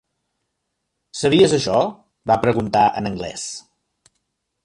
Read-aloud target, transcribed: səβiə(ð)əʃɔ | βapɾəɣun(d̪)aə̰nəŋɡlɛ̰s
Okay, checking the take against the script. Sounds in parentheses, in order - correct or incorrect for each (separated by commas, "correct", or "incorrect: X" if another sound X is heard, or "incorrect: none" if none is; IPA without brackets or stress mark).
incorrect: z, incorrect: t̪